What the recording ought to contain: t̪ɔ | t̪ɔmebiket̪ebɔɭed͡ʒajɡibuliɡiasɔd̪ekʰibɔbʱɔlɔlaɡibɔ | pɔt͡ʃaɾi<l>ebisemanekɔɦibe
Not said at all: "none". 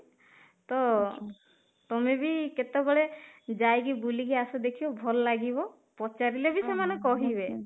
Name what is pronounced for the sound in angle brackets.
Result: l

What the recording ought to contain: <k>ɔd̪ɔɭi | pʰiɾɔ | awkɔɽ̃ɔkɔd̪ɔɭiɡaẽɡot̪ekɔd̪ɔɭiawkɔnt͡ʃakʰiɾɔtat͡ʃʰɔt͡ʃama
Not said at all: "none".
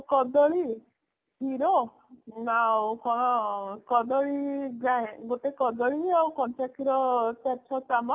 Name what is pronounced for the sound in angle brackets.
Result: k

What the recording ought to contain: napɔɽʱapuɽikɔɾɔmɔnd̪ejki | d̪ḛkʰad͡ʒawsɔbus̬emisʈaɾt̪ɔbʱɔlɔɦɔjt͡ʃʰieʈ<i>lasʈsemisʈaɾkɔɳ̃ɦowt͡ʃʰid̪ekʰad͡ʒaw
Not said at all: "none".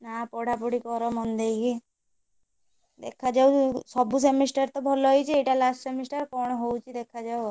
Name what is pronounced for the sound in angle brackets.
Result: a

